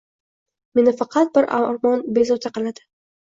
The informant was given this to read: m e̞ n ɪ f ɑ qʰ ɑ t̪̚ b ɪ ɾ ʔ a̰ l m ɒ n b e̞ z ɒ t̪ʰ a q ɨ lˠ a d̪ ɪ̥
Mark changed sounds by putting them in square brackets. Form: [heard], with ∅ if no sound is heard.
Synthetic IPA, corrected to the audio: m e̞ n ɪ f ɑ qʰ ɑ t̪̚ b ɪ ɾ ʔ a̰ [ɾ] m ɒ n b e̞ z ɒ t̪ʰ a q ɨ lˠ a d̪ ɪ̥